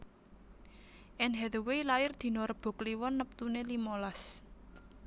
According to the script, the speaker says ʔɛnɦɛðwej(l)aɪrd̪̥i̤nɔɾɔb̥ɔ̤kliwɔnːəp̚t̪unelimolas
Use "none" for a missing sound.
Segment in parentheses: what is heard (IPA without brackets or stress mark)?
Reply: l